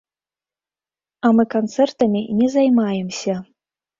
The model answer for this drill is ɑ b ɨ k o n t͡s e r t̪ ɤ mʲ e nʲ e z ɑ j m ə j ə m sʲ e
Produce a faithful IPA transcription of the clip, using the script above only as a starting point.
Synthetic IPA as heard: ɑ m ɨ k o n t͡s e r t̪ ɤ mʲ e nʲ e z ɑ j m ɑ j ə m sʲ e